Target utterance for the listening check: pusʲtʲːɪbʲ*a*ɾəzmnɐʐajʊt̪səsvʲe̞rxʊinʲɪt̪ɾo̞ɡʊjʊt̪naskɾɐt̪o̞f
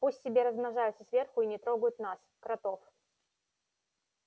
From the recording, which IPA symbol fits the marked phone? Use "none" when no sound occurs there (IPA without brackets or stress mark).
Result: e